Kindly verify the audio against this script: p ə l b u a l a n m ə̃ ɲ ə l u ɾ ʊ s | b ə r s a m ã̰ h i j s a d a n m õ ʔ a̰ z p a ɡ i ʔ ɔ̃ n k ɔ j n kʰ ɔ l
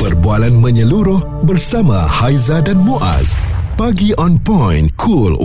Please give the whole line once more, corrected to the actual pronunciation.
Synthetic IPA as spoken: p ə r b u a l a n m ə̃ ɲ ə l u ɾ ʊ h | b ə r s a m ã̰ h a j z a d a n m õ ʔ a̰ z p a ɡ i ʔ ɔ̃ n p ɔ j n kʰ u l